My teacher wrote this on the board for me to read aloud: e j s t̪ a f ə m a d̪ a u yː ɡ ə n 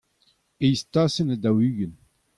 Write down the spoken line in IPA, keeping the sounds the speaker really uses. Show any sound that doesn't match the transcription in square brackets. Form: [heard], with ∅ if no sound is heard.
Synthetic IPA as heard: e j s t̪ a [s] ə [n] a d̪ a [w] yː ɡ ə n

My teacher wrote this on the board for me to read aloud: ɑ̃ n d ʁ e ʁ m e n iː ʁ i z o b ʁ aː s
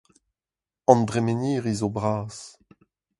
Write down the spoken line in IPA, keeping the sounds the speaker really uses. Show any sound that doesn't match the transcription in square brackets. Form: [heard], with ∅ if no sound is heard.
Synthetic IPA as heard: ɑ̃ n d ʁ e [∅] m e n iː ʁ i z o b ʁ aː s

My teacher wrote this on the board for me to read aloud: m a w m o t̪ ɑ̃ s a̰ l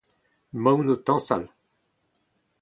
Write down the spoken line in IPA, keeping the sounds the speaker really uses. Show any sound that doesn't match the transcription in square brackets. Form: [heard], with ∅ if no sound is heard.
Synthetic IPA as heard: m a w [n] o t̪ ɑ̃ s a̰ l

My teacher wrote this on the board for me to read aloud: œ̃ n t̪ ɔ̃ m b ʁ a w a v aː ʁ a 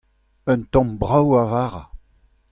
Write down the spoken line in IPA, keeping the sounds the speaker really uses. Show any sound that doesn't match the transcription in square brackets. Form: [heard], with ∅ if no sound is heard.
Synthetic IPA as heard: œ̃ n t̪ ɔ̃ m b ʁ a w a v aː ʁ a

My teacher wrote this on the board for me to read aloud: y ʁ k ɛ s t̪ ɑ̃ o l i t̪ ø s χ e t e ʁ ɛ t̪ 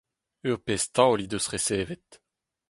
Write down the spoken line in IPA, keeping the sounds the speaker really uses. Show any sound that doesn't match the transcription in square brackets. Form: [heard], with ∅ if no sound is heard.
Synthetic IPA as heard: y ʁ [p] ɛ s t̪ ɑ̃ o l i [d̪] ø s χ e [s] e [v] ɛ t̪

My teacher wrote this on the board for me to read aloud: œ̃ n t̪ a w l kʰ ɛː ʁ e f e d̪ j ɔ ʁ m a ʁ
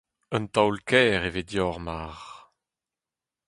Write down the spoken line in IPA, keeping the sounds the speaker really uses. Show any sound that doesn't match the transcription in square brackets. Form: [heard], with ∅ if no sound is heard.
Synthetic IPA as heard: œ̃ n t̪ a w l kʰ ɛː ʁ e [v] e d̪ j ɔ ʁ m a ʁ

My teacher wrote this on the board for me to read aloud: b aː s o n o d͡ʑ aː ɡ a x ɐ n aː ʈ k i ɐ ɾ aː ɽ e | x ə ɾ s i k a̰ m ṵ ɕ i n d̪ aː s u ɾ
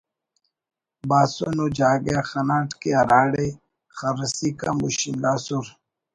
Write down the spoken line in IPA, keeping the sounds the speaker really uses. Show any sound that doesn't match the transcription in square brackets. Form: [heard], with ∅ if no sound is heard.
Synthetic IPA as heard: b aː s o n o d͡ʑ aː ɡ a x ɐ n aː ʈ k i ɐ ɾ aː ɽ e | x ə ɾ s i k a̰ m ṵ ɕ i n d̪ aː s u ɾ

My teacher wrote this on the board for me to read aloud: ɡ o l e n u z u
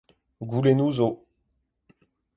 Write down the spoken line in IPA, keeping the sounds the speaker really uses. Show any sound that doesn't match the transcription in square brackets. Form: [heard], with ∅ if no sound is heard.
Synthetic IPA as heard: ɡ [u] l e n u z [o]

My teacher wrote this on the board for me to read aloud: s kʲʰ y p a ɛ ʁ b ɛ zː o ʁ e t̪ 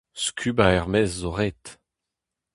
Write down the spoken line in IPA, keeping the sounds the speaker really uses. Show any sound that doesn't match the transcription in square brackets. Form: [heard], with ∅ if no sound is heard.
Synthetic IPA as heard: s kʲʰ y [b] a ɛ ʁ [m] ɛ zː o ʁ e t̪

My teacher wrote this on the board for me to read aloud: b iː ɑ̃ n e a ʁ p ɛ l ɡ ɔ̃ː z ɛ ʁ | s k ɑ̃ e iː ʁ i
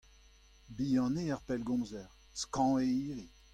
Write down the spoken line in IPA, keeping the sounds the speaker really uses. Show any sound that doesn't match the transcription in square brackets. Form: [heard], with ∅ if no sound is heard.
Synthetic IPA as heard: b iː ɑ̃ n e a ʁ p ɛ l ɡ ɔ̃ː z ɛ ʁ | s k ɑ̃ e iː ʁ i

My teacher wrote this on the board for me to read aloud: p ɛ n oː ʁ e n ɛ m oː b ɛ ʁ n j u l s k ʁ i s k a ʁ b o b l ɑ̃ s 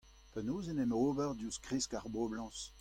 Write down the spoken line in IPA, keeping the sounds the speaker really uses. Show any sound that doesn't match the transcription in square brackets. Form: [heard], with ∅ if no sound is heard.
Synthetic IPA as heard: p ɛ n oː [z] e n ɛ m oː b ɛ ʁ [d] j u [∅] s k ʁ i s k a ʁ b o b l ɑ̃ s

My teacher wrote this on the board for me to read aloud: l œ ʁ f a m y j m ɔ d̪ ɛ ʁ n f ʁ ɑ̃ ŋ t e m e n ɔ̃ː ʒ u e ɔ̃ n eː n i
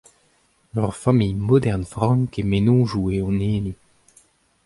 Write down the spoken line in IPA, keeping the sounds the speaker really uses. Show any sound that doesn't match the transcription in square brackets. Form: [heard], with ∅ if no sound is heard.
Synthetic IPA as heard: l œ ʁ f a m [i] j m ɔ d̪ ɛ ʁ n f ʁ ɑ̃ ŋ [k] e m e n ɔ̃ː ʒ u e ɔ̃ n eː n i

